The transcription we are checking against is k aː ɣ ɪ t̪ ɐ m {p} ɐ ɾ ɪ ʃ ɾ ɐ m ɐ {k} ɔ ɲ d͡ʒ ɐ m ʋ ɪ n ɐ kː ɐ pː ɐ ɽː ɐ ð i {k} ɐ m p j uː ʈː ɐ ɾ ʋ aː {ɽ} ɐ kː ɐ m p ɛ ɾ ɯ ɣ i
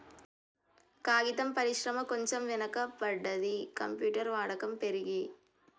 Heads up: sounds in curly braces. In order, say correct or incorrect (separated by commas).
correct, correct, correct, correct